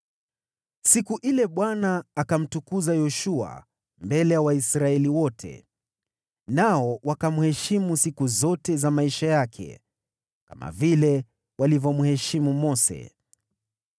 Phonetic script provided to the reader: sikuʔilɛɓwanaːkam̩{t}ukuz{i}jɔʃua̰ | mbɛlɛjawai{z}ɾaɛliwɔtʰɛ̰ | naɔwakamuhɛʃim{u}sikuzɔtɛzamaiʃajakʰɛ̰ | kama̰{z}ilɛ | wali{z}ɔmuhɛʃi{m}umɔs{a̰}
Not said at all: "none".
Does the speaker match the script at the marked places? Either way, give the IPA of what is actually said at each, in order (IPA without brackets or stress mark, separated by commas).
t, a, s, u, v, v, m, ɛ̰